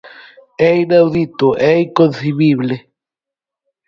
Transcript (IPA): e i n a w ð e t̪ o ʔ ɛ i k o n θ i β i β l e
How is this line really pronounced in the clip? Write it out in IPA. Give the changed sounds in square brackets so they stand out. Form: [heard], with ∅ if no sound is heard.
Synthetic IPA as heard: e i n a w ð [i] t̪ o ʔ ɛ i k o n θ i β i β l e